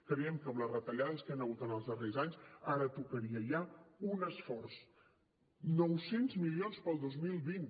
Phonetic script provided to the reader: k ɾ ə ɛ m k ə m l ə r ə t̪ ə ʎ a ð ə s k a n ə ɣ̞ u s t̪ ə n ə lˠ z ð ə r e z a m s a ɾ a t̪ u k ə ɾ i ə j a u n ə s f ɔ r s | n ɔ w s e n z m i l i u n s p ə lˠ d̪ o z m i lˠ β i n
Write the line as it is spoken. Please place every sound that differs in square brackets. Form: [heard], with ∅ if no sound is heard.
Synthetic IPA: k ɾ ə ɛ m k ə m l ə r ə t̪ ə ʎ a ð ə s k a n ə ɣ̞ u [∅] t̪ ə n ə lˠ z ð ə r e z a [ɲ] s a ɾ [ə] t̪ u k ə ɾ i ə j a u n ə s f ɔ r s | n ɔ w s e n z m i l i [o] n s p ə lˠ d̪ o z m i lˠ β i n

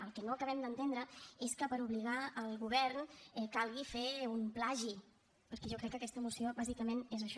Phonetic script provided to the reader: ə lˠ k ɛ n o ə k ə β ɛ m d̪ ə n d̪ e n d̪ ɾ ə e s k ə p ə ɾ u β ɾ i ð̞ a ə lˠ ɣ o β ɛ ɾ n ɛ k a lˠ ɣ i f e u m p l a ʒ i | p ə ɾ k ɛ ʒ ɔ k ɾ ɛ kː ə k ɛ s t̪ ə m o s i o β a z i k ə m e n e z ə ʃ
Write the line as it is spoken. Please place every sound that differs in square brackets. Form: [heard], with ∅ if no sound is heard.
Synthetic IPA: ə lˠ k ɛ n o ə k ə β ɛ m d̪ ə n [t̪] e n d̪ ɾ ə e s k ə p ə ɾ u β [l] i [ɣ̞] a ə lˠ ɣ [u] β ɛ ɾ n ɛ k a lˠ ɣ i f e u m p l a ʒ i | p ə ɾ k ɛ ʒ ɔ k ɾ ɛ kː ə k ɛ s t̪ ə m [u] s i o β a z i k ə m e n e z ə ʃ

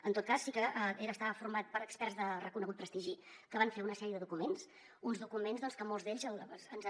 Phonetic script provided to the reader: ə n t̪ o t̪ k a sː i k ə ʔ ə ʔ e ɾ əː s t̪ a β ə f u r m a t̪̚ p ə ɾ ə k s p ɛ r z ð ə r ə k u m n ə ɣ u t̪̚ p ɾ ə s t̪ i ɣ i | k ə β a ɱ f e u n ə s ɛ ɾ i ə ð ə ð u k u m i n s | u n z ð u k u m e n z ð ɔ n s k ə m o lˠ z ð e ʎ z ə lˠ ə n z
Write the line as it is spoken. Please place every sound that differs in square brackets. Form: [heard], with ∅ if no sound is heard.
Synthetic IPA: ə n t̪ o t̪ k a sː i k ə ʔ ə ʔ e ɾ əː s t̪ a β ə f u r m a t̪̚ p ə ɾ ə k s p ɛ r z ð ə r ə k u [∅] n ə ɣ u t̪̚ p ɾ ə s t̪ i [ʒ] i | k ə β a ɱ f e u n ə s ɛ ɾ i ə ð ə ð u k u m [e] n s | u n z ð u k u m e n z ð ɔ n s k ə m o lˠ z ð e ʎ z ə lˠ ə n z

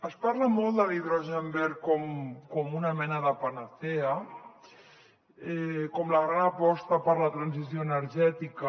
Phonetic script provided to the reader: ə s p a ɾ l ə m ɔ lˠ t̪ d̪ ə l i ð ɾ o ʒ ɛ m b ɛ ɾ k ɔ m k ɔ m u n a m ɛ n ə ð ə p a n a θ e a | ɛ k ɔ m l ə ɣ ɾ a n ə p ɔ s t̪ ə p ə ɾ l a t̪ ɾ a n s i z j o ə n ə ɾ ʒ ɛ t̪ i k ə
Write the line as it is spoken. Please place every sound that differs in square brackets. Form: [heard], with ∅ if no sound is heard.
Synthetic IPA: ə s p a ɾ l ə m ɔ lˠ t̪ d̪ ə l i ð ɾ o ʒ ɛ m b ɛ ɾ k ɔ m k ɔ m u n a m ɛ n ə ð ə p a n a θ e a | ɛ k ɔ m l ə ɣ ɾ a n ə p ɔ s t̪ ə p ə ɾ l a t̪ ɾ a n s i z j o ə n ə ɾ ʒ ɛ t̪ i k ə

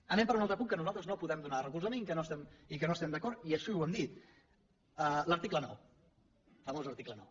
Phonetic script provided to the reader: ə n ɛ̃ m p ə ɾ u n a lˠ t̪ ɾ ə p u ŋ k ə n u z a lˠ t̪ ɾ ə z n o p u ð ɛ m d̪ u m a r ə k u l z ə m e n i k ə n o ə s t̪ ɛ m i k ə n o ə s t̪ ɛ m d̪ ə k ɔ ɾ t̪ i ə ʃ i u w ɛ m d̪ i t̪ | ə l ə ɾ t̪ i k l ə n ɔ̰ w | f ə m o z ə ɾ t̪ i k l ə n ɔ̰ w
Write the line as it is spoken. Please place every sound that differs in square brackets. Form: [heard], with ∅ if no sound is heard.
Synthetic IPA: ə n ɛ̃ m p ə ɾ u n a lˠ t̪ ɾ ə p u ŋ k ə n u z a lˠ t̪ ɾ ə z n o p u ð ɛ m d̪ u [n] a r ə k u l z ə m e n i k ə n o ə s t̪ ɛ m i k ə n o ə s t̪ ɛ m d̪ ə k ɔ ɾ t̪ i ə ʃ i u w ɛ m d̪ i t̪ | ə l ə ɾ t̪ i k l ə n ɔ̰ w | f ə m o z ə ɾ t̪ i k l ə n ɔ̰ w

